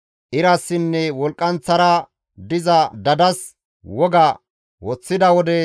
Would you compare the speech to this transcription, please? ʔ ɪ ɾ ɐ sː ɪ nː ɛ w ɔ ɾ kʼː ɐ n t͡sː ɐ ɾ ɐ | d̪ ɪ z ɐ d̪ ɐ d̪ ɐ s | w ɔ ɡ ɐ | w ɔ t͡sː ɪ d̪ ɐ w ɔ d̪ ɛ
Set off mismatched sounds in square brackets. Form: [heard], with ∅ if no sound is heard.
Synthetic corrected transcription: ʔ ɪ ɾ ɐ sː ɪ nː ɛ w ɔ [l] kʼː ɐ n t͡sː ɐ ɾ ɐ | d̪ ɪ z ɐ d̪ ɐ d̪ ɐ s | w ɔ ɡ ɐ | w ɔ t͡sː ɪ d̪ ɐ w ɔ d̪ ɛ